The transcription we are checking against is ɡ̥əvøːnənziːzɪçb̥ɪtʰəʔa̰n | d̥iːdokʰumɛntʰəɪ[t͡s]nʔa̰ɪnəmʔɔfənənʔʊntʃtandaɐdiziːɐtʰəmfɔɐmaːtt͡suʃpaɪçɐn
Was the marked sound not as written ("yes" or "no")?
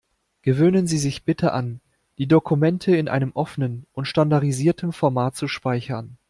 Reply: yes